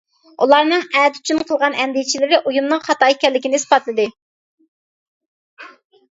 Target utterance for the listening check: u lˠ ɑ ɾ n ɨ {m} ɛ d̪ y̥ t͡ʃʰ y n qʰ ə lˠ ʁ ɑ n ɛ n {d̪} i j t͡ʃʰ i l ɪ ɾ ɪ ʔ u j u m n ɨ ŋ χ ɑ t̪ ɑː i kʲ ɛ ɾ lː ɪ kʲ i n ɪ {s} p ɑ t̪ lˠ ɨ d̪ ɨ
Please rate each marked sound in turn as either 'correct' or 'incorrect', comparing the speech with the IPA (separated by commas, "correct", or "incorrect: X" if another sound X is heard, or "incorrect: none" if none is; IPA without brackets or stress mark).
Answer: incorrect: ŋ, correct, correct